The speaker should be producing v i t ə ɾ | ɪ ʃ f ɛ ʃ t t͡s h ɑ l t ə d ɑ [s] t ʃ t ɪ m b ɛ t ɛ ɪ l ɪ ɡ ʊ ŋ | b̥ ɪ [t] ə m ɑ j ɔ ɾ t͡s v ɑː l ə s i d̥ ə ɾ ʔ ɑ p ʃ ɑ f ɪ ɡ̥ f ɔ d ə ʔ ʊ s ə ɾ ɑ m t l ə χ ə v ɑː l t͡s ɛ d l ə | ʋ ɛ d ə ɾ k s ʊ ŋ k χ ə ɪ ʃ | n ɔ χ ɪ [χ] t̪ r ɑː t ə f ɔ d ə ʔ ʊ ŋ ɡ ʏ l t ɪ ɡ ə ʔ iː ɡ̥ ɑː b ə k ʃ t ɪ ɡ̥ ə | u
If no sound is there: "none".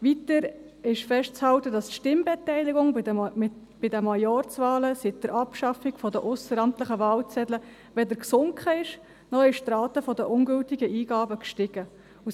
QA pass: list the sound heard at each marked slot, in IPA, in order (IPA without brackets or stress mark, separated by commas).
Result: s, d, ʃ